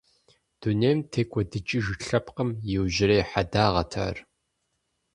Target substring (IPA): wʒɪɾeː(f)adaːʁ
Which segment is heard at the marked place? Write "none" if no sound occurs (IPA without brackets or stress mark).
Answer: ħ